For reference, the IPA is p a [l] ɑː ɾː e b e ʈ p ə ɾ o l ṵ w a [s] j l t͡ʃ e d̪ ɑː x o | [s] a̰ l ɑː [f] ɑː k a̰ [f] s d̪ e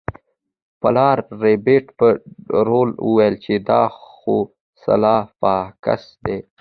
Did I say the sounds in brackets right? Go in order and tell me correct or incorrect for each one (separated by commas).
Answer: correct, incorrect, correct, correct, incorrect